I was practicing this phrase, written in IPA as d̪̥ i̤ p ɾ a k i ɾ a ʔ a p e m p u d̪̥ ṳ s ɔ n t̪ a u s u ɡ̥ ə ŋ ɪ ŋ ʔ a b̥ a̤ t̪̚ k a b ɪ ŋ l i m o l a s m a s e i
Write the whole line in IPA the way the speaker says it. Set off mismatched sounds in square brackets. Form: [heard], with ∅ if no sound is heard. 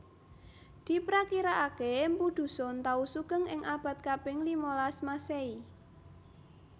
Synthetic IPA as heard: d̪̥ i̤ p ɾ a k i ɾ a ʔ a [k] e m p u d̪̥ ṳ s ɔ n t̪ a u s u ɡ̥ ə ŋ ɪ ŋ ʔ a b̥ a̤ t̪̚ k a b ɪ ŋ l i m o l a s m a s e i